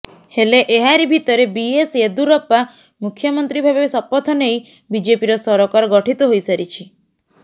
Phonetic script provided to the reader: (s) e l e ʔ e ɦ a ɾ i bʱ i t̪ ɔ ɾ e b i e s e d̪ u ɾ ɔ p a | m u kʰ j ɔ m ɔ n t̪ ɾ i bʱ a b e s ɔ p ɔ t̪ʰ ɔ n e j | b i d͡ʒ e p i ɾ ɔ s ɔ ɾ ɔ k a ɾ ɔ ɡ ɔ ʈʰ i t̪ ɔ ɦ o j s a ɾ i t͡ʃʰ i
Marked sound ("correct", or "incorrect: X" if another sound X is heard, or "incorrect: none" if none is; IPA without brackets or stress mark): incorrect: h